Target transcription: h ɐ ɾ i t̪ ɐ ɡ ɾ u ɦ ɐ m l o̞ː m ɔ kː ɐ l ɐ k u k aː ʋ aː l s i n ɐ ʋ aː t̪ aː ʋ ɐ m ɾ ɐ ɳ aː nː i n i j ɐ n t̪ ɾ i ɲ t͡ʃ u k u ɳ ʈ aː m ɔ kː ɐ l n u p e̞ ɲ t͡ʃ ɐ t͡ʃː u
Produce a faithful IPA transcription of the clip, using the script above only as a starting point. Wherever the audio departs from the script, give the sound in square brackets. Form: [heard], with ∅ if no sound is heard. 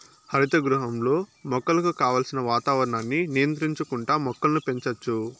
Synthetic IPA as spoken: h ɐ ɾ i t̪ ɐ ɡ ɾ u ɦ ɐ m l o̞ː m ɔ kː ɐ l ɐ k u k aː ʋ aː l s i n ɐ ʋ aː t̪ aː ʋ ɐ [∅] ɾ ɐ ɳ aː nː i n i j ɐ n t̪ ɾ i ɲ t͡ʃ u k u ɳ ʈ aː m ɔ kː ɐ l n u p e̞ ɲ t͡ʃ ɐ t͡ʃː u